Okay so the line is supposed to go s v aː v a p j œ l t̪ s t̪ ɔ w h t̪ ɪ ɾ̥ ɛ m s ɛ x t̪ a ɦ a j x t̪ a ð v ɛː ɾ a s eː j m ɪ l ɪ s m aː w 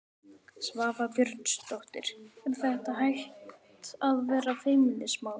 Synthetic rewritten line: s v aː v a p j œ ɾ t̪ s t̪ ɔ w h t̪ ɪ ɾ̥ ɛ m θ ɛ h t̪ a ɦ a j h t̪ a ð v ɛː ɾ a f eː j m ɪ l ɪ s m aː w